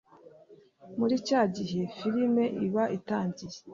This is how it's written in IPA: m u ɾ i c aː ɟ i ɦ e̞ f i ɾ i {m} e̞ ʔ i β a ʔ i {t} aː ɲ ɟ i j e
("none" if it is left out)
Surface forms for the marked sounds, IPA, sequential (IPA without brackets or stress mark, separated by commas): m, t